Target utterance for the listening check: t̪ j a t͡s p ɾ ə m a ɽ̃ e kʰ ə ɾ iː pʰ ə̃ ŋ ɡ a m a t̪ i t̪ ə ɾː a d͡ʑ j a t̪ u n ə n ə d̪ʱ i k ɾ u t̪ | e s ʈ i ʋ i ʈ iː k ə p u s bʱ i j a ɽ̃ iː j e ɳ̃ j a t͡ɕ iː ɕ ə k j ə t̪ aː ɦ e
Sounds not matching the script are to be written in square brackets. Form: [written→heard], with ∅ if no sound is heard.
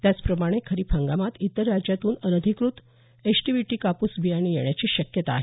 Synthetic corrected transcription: t̪ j a t͡s p ɾ ə m a ɽ̃ e kʰ ə ɾ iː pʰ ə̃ ŋ ɡ a m a t̪ i t̪ ə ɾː a d͡ʑ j a t̪ [u→uː] n ə n ə d̪ʱ i k ɾ u t̪ | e s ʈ i ʋ i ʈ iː k [ə→a] p u s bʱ i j a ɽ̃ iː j e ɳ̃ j a t͡ɕ iː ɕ ə k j ə t̪ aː ɦ e